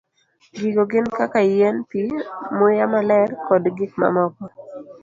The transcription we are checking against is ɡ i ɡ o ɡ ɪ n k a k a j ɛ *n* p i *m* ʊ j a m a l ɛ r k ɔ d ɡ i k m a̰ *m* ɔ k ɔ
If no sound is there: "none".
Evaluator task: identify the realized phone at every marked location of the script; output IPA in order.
n, m, m

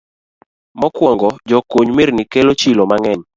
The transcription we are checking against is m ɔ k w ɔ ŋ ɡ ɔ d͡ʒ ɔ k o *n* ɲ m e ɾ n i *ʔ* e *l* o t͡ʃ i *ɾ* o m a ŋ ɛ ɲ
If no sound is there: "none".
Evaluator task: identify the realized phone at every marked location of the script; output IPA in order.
none, k, l, l

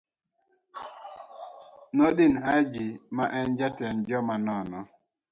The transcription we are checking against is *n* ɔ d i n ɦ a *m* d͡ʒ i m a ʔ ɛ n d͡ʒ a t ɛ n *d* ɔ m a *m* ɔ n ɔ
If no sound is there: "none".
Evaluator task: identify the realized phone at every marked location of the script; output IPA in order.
n, none, d͡ʒ, n

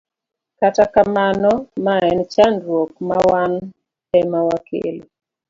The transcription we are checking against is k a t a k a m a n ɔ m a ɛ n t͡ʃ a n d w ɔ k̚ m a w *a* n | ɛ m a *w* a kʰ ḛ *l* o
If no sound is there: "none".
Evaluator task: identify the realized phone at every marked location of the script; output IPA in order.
a, w, l

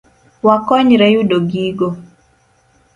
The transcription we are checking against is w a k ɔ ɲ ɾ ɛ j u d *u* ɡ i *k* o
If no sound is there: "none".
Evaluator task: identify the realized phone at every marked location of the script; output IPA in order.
o, ɡ

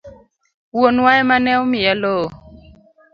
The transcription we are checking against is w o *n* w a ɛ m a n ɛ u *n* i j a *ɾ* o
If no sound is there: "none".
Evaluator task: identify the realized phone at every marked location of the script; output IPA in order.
n, m, l

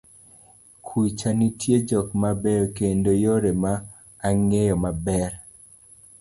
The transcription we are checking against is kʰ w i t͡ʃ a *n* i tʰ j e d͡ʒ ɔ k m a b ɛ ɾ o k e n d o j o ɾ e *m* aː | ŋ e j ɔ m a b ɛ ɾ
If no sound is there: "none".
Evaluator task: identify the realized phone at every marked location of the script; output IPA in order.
n, m

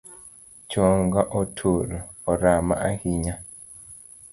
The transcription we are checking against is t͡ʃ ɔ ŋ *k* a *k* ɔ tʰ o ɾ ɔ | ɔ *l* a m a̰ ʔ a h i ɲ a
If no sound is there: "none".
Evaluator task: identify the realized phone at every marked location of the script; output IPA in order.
ɡ, ʔ, ɾ

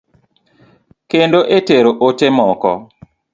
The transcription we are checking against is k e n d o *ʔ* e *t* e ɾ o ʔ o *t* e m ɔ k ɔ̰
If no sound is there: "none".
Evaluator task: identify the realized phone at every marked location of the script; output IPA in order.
ʔ, t, t

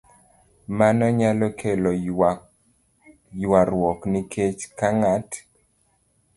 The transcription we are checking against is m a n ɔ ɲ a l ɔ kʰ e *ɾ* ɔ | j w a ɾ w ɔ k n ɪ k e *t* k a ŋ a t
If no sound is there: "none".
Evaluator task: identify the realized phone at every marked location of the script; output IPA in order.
l, t͡ʃ

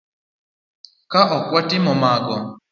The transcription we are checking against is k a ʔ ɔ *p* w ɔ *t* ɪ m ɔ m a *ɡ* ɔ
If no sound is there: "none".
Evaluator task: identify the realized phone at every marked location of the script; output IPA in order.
k, t, ɡ

